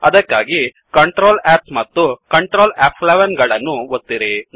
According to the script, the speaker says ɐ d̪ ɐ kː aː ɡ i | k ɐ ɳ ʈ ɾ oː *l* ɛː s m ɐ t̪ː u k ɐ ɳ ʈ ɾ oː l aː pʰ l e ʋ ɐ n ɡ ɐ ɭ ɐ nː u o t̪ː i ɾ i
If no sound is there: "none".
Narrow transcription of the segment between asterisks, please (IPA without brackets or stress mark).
l